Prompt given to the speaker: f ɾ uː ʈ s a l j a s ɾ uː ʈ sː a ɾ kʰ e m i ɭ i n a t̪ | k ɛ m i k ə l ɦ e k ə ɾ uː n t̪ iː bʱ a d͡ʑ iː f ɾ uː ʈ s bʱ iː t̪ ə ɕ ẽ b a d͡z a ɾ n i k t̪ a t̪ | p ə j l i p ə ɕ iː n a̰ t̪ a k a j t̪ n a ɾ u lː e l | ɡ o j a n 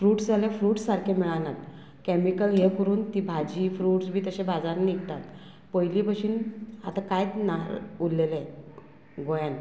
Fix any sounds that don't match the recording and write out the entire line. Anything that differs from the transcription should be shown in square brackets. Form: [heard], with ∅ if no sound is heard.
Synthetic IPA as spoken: f ɾ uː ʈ s a l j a [f] ɾ uː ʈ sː a ɾ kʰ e m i ɭ [a] n a t̪ | k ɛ m i k ə l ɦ e k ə ɾ uː n t̪ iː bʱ a d͡ʑ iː f ɾ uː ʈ s bʱ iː t̪ ə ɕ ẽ b a d͡z a ɾ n i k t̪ a t̪ | p ə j l i p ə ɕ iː n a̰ t̪ a k a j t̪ n a ɾ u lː e l | ɡ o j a n